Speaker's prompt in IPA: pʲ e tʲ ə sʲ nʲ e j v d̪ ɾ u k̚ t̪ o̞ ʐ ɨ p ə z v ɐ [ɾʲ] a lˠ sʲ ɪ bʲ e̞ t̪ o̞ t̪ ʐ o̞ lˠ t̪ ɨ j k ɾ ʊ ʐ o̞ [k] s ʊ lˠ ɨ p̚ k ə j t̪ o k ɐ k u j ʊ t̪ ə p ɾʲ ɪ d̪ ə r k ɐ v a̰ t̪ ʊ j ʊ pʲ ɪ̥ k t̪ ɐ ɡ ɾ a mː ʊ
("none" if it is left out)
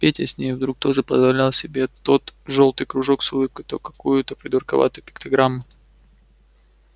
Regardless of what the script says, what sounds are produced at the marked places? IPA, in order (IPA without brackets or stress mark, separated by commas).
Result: lʲ, k